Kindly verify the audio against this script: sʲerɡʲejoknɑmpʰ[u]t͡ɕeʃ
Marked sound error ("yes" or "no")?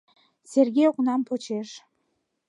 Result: yes